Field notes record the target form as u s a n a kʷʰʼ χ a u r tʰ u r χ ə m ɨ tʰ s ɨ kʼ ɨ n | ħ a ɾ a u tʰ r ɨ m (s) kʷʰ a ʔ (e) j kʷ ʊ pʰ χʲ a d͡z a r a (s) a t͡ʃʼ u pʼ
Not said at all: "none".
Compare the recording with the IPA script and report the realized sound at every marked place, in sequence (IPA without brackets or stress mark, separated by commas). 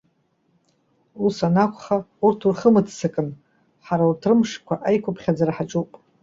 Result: ʂ, a, ħ